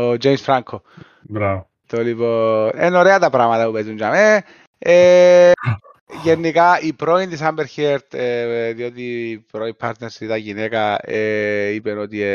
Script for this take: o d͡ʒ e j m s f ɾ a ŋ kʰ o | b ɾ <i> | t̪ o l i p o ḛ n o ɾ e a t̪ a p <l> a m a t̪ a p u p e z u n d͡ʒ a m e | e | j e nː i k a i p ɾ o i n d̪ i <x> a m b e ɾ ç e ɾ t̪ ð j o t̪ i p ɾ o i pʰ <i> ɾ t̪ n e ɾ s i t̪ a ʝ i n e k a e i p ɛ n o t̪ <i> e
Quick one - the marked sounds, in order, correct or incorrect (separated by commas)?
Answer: incorrect, incorrect, incorrect, incorrect, correct